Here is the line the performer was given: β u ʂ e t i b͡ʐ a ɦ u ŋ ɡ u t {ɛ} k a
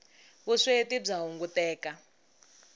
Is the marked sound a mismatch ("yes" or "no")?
yes